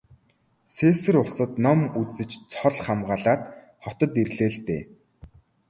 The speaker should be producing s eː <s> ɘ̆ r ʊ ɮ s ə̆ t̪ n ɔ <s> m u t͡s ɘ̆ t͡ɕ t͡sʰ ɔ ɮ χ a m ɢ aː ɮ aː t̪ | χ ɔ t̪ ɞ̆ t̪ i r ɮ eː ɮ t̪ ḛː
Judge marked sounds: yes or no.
yes, no

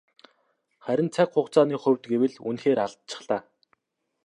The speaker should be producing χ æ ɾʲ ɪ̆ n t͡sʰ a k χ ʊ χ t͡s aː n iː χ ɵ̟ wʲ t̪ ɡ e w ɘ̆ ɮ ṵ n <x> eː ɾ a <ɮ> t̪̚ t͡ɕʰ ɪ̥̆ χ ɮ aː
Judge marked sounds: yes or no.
yes, yes

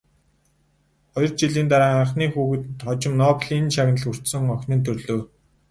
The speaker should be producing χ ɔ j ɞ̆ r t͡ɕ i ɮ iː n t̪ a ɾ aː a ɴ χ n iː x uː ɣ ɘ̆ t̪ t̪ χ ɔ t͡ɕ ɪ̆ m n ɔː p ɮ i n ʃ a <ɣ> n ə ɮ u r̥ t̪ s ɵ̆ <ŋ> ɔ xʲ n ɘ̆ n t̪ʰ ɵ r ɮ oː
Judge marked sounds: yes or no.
yes, yes

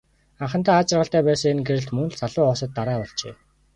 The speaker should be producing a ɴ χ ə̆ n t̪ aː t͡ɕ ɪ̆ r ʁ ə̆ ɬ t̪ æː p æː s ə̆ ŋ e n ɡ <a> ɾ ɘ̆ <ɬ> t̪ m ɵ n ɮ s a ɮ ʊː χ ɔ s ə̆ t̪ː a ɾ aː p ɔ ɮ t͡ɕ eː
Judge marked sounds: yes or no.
no, yes

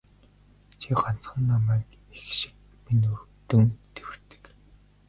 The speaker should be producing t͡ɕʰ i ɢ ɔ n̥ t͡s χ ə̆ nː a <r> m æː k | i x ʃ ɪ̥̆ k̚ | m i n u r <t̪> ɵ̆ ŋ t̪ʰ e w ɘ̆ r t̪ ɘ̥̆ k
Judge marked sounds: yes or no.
no, yes

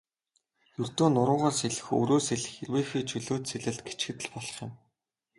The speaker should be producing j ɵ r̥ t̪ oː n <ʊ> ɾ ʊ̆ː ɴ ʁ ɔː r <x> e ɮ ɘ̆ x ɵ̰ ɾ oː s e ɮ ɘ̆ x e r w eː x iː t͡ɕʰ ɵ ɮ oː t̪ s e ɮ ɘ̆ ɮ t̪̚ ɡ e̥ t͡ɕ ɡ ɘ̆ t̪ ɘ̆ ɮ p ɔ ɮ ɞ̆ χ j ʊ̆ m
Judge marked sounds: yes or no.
yes, no

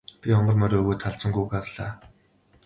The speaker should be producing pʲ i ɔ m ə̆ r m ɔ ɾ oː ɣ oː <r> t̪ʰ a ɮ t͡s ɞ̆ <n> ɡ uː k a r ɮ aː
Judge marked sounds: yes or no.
no, no

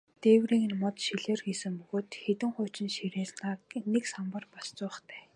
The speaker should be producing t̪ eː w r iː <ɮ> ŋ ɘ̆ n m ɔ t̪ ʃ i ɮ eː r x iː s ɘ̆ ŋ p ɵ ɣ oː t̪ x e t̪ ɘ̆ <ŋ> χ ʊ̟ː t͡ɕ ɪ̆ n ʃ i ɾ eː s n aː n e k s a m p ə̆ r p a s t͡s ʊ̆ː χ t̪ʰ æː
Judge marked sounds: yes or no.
no, yes

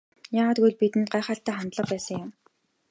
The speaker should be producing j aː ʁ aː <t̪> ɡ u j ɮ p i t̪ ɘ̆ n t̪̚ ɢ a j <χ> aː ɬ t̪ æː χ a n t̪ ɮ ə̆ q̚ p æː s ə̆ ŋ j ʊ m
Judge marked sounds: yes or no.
yes, yes

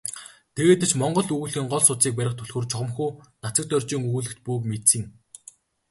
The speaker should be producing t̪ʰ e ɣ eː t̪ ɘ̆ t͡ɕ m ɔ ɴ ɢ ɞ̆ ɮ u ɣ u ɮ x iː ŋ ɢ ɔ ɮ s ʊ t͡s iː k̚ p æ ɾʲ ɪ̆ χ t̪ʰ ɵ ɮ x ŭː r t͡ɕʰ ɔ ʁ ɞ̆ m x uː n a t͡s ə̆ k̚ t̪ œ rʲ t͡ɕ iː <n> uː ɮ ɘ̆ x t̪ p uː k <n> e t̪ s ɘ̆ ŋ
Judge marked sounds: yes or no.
no, no

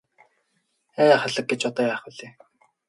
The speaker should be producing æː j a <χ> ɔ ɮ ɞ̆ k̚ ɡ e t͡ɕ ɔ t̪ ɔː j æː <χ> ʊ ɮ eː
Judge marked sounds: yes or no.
yes, yes

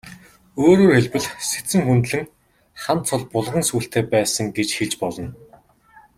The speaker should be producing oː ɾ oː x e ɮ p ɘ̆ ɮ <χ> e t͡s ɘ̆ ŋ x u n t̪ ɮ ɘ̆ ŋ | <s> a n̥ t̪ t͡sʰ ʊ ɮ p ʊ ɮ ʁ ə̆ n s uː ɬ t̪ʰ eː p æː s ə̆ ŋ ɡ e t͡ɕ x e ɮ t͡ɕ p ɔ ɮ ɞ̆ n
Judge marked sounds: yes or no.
no, no

